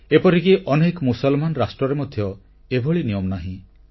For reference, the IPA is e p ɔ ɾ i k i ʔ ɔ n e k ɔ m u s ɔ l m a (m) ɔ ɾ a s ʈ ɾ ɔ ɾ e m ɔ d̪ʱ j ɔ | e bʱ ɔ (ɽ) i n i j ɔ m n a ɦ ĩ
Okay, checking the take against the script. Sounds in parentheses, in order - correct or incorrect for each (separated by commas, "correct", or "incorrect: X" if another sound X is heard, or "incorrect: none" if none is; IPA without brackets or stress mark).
incorrect: n, incorrect: ɭ